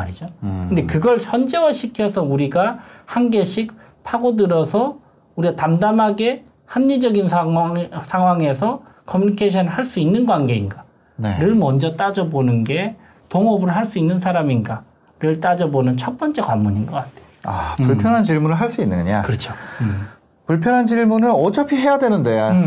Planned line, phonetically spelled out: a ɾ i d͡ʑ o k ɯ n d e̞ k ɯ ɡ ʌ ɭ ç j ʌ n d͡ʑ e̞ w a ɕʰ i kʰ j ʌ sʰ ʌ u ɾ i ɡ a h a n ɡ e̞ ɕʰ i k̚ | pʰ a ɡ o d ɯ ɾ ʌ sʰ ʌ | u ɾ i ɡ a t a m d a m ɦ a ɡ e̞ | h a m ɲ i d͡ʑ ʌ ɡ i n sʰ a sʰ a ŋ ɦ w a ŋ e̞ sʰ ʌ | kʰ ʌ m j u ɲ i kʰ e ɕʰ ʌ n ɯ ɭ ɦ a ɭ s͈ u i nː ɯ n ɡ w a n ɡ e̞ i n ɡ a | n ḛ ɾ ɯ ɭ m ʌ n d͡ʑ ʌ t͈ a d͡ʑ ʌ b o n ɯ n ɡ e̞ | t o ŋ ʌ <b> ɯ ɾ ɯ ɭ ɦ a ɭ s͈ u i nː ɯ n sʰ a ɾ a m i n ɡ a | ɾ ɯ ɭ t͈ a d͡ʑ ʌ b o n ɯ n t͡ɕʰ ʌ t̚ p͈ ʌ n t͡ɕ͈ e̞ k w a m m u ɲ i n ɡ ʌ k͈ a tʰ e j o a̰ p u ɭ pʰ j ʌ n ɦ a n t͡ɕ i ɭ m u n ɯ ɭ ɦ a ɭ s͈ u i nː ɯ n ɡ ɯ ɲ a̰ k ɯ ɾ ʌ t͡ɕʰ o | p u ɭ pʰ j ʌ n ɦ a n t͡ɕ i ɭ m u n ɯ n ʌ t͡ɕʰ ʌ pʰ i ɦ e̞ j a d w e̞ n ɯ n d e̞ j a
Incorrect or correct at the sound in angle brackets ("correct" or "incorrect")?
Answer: correct